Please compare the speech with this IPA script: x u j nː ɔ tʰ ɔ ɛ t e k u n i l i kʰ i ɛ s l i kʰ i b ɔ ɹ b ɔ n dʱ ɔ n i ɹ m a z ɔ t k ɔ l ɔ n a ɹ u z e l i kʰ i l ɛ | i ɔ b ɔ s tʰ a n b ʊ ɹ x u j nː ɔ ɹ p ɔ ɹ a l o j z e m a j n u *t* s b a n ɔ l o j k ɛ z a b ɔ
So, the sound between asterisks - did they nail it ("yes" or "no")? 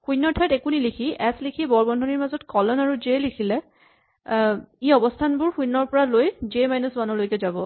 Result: no